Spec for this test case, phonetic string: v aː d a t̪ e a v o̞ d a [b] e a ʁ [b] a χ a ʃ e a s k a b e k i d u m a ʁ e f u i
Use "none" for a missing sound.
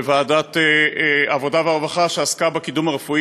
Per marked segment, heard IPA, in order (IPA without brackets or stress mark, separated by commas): v, v